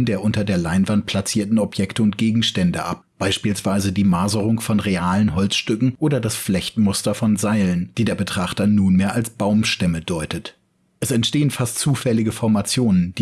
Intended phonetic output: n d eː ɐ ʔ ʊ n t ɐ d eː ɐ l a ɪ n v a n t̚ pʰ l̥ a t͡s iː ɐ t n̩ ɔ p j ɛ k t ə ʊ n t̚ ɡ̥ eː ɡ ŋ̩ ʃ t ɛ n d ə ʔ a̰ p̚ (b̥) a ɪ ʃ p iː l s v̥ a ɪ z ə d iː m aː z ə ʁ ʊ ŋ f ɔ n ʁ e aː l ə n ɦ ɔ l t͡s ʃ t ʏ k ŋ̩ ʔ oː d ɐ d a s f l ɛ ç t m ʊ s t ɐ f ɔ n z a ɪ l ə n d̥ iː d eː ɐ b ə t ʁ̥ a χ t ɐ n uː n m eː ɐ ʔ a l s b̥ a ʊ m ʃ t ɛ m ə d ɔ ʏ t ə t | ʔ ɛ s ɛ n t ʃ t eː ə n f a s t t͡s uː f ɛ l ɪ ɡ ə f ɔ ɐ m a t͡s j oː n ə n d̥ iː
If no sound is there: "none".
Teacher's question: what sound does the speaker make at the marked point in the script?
b̥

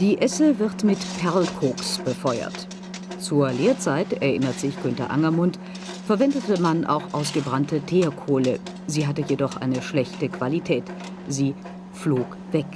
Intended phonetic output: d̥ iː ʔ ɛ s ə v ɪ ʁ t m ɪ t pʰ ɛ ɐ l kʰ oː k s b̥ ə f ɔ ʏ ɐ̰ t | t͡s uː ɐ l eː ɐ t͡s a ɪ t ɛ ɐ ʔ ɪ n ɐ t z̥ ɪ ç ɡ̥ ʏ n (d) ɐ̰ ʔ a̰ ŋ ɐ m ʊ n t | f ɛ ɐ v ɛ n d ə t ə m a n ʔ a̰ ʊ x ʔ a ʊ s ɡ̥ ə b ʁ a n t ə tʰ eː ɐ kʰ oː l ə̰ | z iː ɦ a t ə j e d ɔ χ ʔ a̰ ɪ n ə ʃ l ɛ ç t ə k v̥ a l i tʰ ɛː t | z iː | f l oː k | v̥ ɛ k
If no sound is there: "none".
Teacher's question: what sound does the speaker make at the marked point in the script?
t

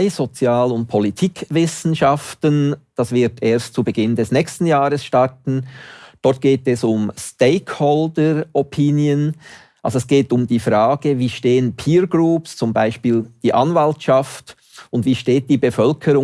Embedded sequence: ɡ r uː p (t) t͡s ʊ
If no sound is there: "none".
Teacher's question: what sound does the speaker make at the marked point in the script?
s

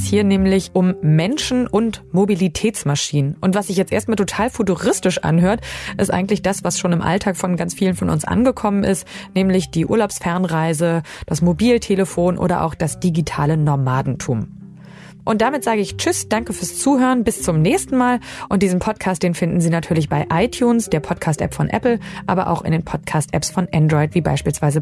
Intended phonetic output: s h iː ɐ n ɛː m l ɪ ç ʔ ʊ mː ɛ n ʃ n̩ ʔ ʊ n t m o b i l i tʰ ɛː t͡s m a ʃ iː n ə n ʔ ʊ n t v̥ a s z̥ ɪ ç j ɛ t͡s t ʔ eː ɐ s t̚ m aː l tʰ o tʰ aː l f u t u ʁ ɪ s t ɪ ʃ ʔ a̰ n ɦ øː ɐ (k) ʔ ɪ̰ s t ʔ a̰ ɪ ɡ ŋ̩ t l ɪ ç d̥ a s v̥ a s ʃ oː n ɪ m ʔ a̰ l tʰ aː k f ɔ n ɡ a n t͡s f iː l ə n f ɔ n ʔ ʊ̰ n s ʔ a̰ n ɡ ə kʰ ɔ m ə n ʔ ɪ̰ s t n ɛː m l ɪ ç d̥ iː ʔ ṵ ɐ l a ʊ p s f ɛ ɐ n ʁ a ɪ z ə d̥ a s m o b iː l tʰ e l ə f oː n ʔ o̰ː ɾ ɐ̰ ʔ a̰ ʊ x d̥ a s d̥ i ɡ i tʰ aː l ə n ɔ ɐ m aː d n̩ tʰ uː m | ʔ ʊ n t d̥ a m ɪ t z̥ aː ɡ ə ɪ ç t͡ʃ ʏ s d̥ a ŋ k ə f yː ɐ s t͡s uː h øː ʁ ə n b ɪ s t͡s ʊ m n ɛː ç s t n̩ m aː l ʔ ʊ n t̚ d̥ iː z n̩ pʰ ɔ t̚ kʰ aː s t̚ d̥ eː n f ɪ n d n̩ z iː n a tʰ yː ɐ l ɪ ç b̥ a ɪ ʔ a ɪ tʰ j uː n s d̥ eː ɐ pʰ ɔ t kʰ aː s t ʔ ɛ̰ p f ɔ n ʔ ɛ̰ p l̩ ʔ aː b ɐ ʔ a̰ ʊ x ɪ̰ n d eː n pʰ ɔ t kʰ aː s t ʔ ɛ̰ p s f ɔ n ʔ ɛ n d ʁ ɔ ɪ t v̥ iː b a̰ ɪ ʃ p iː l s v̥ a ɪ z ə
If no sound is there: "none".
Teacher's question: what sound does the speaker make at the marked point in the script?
t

